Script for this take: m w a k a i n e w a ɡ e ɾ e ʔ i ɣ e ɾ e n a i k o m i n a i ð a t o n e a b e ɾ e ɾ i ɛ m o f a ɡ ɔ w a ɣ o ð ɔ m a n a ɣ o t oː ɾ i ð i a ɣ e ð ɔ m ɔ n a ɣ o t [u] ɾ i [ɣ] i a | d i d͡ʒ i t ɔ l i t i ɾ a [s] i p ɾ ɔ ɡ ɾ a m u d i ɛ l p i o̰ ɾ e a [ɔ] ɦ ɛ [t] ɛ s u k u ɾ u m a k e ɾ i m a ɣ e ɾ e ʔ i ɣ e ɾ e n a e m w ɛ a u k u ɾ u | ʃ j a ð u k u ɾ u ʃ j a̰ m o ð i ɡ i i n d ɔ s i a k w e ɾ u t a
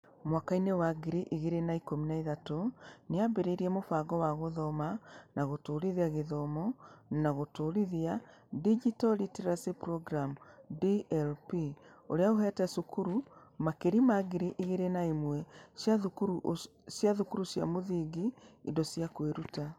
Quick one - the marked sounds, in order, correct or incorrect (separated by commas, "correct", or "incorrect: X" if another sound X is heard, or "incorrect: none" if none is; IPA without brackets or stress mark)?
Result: incorrect: o, incorrect: ð, correct, incorrect: o, correct